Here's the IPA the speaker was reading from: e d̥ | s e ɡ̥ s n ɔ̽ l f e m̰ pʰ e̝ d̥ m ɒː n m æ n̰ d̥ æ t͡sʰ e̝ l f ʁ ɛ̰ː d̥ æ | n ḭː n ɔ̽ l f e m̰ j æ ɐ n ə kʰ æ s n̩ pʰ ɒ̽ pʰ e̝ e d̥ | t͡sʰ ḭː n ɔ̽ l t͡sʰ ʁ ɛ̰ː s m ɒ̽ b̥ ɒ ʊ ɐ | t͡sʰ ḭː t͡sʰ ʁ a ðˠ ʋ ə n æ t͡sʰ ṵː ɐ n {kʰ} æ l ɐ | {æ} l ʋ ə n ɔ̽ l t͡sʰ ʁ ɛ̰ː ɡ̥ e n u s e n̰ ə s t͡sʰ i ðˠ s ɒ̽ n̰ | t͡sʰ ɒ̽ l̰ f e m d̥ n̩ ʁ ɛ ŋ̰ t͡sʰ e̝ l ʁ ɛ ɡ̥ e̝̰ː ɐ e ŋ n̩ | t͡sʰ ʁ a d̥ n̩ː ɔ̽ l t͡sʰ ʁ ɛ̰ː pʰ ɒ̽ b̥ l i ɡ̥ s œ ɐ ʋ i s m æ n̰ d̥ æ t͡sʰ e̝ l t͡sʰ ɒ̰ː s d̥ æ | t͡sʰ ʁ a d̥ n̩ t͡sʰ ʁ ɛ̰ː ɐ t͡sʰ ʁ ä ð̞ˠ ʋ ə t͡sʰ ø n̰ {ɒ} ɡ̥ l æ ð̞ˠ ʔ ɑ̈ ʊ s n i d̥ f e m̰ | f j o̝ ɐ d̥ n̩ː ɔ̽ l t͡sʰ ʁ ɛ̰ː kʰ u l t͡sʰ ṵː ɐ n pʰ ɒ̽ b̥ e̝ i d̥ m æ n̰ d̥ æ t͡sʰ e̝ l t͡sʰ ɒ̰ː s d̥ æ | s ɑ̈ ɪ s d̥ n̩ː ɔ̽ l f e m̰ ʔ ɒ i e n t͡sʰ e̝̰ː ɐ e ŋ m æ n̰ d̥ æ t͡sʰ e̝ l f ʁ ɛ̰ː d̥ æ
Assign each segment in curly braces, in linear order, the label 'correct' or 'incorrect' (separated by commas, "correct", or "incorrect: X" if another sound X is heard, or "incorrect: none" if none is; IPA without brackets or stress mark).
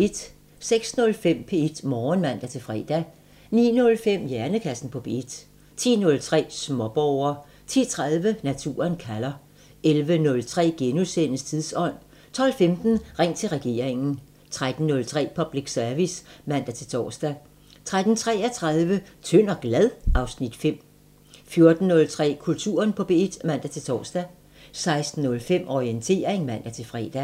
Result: correct, incorrect: e, correct